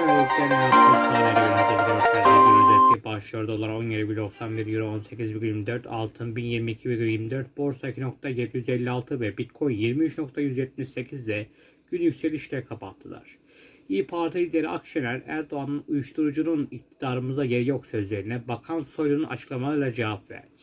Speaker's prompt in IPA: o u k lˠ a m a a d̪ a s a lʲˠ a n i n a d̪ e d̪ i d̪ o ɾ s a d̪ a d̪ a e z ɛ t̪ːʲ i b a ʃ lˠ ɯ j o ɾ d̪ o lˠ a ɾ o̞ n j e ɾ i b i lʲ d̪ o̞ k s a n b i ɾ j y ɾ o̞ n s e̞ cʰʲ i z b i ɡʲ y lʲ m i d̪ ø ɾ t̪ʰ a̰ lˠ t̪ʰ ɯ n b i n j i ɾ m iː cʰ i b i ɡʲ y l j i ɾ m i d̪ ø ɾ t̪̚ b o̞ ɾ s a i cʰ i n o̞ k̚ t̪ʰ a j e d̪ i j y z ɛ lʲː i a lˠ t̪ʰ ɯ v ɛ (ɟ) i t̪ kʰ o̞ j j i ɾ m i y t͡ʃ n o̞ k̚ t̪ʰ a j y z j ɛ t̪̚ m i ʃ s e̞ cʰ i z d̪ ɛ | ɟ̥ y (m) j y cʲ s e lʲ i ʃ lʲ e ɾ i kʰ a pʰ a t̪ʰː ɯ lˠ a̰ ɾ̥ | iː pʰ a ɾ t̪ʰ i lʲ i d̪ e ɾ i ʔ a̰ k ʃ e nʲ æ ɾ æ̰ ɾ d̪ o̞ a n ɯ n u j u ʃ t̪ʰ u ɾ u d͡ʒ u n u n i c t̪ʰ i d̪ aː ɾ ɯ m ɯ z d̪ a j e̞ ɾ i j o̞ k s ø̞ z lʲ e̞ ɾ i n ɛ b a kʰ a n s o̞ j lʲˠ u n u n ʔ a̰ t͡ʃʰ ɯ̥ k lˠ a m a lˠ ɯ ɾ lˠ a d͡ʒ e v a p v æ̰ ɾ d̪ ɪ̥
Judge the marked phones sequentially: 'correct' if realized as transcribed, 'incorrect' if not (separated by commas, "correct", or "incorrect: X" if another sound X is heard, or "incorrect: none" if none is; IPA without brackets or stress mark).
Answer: incorrect: b, incorrect: n